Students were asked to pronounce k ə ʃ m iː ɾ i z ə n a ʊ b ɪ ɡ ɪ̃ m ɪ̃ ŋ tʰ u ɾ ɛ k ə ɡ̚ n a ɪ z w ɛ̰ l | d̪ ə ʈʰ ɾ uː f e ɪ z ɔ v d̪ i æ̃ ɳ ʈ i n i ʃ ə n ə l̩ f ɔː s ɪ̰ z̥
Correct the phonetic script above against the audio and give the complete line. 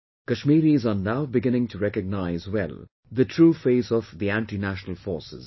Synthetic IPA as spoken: k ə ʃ m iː ɾ i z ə n a ʊ b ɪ ɡ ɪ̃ n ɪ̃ ŋ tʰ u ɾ ɛ k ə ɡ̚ n a ɪ z w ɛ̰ l | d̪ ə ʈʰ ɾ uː f e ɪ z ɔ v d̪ i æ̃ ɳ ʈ i n æ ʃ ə n ə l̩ f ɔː s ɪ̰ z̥

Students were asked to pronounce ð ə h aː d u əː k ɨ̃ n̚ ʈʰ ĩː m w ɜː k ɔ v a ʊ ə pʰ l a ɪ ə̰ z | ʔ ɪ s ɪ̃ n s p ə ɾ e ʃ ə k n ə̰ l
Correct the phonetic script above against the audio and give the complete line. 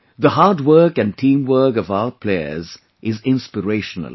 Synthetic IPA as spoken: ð ə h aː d w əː k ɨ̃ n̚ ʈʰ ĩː m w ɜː k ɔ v a ʊ ə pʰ l e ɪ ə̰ z | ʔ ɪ z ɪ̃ n s p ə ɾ e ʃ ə n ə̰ l

